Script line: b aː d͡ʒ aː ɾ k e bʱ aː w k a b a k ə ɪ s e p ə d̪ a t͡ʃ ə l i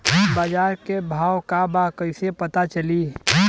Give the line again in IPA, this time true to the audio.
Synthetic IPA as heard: b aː d͡ʒ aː ɾ k e bʱ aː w k a b a k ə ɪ s e p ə t̪ a t͡ʃ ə l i